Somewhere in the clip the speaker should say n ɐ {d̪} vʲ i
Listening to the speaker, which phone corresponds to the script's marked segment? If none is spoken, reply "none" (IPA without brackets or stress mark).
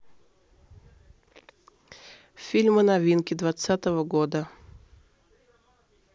none